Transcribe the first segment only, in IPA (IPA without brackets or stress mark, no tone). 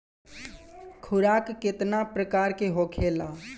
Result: kʰ